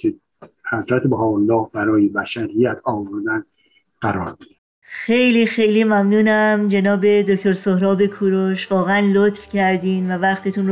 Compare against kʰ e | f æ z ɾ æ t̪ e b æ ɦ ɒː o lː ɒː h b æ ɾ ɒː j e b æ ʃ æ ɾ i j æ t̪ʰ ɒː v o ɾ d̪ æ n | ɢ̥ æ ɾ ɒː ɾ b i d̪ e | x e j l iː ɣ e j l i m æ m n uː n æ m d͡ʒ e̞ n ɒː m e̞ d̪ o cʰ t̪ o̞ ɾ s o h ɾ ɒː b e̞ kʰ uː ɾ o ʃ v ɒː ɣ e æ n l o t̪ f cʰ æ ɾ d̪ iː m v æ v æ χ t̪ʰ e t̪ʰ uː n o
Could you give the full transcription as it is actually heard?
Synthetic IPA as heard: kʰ e | h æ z ɾ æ t̪ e b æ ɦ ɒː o lː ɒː h b æ ɾ ɒː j e b æ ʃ æ ɾ i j æ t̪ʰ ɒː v o ɾ d̪ æ n | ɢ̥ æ ɾ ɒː ɾ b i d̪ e | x e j l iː x e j l i m æ m n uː n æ m d͡ʒ e̞ n ɒː b e̞ d̪ o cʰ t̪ o̞ ɾ s o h ɾ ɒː b e̞ kʰ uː ɾ o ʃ v ɒː ɣ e æ n l o t̪ f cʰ æ ɾ d̪ iː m v æ v æ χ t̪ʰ e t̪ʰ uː n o